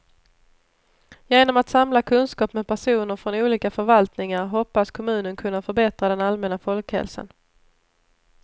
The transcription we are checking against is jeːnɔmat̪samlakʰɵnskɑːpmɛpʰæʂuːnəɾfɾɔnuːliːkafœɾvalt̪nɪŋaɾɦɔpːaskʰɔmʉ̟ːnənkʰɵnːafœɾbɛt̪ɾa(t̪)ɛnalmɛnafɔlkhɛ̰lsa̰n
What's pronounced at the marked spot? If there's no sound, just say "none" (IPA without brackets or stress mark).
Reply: d̪